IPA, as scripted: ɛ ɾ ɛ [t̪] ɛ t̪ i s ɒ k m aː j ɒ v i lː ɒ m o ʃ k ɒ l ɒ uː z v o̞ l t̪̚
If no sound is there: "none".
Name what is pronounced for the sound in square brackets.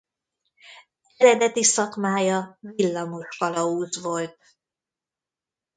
d̪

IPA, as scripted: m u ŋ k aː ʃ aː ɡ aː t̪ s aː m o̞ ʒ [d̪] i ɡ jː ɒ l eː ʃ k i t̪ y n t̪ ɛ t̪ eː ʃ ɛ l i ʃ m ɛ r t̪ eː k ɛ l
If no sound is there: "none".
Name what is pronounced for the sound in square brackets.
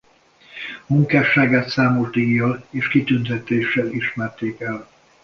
d̪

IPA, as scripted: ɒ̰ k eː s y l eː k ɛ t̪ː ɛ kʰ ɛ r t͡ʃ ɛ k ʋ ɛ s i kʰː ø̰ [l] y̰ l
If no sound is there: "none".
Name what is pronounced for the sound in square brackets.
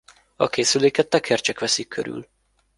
ɾ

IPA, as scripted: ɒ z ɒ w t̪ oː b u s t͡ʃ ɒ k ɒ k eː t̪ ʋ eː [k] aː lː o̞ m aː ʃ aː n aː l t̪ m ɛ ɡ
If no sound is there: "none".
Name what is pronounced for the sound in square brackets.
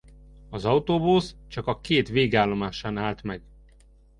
ɡ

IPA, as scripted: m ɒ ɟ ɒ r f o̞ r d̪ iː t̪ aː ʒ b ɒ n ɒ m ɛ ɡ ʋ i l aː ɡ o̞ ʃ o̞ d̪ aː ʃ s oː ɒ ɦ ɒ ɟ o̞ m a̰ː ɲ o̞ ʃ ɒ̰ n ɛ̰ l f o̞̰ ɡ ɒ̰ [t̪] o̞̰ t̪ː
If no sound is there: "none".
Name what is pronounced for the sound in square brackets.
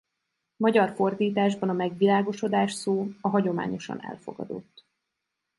d̪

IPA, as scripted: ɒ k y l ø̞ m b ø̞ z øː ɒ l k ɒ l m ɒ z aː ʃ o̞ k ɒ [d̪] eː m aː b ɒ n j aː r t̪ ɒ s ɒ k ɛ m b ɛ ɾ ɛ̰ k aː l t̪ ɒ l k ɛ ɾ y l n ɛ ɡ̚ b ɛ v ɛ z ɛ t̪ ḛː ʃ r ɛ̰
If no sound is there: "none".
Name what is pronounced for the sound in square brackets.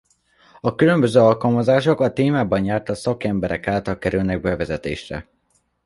t̪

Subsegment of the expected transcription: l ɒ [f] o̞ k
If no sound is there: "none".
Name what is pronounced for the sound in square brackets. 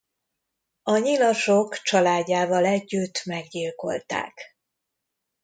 ʃ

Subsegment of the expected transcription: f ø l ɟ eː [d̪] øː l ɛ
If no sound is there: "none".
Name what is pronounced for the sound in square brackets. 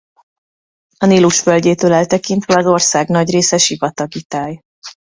t̪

